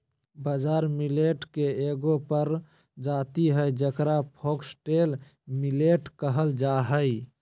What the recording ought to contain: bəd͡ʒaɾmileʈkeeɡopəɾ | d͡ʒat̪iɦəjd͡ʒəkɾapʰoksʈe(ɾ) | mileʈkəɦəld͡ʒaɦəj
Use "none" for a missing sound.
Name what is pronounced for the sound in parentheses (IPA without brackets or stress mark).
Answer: l